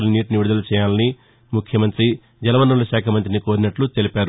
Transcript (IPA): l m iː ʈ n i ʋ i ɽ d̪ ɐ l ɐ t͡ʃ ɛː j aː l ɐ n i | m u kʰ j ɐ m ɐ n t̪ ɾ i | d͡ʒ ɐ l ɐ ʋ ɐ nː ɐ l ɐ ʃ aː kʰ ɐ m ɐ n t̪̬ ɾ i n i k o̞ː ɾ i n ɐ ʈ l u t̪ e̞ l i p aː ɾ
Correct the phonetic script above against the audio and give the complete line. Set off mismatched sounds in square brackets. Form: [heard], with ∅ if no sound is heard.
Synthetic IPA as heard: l [n] iː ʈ n i ʋ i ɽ d̪ ɐ l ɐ t͡ʃ ɛː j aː l ɐ n i | m u kʰ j ɐ m ɐ n t̪ ɾ i | d͡ʒ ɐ l ɐ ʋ ɐ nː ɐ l ɐ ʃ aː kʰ ɐ m ɐ n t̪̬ ɾ i n i k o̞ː ɾ i n ɐ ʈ l u t̪ e̞ l i p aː ɾ